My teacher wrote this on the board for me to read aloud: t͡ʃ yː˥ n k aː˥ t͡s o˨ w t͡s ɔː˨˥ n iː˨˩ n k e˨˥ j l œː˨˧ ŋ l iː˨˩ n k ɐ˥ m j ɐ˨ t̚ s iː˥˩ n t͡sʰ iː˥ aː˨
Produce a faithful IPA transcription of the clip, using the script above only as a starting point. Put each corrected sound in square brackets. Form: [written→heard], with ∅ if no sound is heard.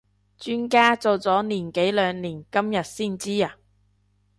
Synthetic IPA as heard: t͡ʃ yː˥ n k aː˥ t͡s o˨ w t͡s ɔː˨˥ n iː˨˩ n k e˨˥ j l œː˨˧ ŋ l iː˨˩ n k ɐ˥ m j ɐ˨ t̚ s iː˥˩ n [t͡sʰ→t͡s] iː˥ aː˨